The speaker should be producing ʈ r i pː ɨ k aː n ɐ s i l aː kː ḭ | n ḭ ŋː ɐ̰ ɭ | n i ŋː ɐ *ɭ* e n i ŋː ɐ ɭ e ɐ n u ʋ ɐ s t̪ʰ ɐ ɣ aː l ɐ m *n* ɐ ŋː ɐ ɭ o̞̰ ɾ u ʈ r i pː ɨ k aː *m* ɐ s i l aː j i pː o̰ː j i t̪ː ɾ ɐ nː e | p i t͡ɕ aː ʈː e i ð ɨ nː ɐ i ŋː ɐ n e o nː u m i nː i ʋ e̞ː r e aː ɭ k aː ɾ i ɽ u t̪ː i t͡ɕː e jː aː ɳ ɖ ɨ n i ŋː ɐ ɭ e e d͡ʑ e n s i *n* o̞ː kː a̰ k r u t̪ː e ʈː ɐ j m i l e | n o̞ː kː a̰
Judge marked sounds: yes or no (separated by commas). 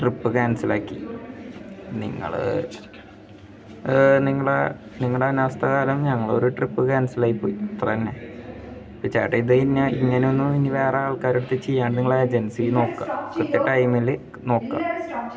yes, no, no, yes